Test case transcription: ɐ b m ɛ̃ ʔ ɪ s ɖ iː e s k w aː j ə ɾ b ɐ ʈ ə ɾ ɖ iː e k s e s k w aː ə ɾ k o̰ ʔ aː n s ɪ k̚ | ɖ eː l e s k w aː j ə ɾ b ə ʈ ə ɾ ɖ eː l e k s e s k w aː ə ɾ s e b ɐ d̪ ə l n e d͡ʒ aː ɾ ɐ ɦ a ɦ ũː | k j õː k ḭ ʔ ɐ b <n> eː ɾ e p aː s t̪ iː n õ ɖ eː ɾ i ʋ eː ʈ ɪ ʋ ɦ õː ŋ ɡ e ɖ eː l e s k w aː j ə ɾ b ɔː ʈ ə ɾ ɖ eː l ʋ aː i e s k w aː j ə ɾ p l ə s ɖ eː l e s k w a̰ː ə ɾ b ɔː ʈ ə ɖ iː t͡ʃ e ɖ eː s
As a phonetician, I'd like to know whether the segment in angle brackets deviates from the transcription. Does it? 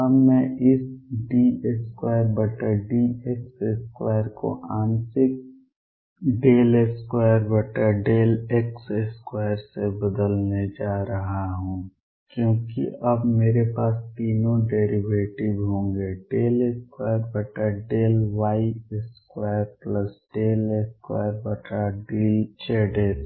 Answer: yes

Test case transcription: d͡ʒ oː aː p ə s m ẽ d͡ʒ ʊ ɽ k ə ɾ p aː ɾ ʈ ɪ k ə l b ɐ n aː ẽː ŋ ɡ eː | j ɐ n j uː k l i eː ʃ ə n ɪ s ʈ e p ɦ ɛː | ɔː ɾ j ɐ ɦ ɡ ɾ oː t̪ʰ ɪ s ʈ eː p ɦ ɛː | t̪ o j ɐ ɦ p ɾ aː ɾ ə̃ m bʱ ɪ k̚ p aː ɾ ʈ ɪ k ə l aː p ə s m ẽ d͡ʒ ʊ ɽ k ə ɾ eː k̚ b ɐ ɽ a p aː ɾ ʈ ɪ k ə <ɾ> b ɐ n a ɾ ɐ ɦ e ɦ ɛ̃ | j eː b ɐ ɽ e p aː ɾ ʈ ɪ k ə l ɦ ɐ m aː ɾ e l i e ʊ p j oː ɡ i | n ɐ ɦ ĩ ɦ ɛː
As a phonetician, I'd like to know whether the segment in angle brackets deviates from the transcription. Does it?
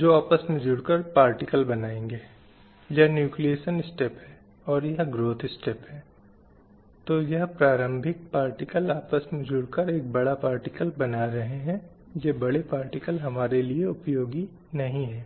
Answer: yes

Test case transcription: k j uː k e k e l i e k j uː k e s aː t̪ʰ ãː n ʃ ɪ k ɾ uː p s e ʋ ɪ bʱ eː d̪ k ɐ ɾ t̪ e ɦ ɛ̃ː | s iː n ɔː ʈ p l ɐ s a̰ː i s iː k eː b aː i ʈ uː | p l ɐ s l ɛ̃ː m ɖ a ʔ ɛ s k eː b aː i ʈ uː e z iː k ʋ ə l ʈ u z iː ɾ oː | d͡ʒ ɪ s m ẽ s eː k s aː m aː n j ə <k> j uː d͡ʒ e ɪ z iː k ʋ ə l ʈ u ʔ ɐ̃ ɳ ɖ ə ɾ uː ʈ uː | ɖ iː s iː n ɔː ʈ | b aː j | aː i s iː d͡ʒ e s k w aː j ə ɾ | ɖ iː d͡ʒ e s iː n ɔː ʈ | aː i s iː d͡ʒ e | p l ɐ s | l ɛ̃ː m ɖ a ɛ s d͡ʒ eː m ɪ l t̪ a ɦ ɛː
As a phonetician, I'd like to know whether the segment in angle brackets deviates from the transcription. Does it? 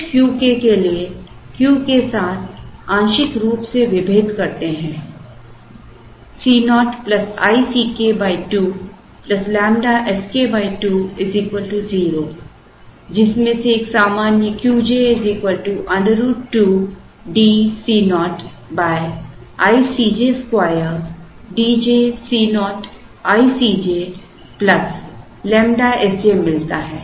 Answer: no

